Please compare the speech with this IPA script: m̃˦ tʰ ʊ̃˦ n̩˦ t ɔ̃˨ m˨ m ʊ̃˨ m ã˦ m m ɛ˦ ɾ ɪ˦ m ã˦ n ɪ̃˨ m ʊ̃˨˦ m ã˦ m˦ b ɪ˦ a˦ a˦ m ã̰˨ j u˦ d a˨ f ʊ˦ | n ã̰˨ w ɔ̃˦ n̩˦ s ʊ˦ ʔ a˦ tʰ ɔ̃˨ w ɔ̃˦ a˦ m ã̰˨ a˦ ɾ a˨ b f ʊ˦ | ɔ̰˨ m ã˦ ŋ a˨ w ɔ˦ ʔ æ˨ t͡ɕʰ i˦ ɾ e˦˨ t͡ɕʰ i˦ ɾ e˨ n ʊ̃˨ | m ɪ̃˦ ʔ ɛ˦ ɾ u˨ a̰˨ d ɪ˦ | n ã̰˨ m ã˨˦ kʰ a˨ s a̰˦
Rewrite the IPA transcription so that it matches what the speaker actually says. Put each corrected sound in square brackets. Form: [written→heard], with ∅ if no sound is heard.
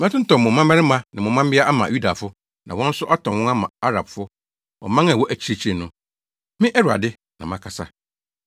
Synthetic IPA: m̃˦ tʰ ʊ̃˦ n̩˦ t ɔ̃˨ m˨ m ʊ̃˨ m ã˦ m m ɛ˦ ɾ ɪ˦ m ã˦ n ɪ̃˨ m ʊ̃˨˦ m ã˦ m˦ b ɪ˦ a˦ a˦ m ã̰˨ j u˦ d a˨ f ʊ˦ | n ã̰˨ w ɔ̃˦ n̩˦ s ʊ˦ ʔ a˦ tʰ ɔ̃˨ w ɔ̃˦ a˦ m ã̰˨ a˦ ɾ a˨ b f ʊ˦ | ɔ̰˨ m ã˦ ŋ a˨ w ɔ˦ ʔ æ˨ t͡ɕʰ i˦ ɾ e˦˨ t͡ɕʰ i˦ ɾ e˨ n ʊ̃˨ | m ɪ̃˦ ʔ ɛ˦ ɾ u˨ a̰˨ d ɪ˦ | n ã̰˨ m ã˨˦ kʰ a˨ s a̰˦